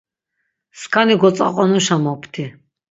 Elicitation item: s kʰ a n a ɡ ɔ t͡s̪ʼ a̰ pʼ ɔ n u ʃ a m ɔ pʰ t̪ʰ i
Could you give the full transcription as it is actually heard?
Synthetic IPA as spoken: s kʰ a n i ɡ ɔ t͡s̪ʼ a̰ qʼ ɔ n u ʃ a m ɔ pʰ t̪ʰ i